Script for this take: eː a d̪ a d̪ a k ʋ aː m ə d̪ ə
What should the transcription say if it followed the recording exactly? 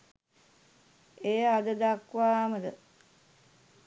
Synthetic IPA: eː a d̪ ə d̪ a k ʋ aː m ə d̪ ə